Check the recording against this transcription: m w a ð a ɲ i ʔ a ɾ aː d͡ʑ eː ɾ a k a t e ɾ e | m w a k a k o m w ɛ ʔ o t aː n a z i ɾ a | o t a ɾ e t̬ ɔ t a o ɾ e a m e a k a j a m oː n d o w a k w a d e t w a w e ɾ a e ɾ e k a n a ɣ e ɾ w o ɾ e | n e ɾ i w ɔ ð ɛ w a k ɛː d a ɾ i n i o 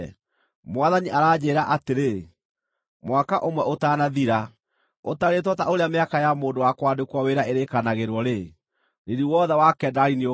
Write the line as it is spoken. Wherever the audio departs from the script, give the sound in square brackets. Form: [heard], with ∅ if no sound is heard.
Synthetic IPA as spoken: m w a ð a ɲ i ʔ a ɾ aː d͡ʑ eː ɾ a [ʔ] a t e ɾ e | m w a k a [ʔ] o m w ɛ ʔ o t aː n a [ð] i ɾ a | o t a ɾ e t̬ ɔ t a o ɾ e a m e a k a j a m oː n d o w a k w a d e [k] w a w e ɾ a e ɾ e k a n a ɣ e ɾ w [ɔ] ɾ e | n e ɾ i w ɔ ð ɛ w a k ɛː d a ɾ i n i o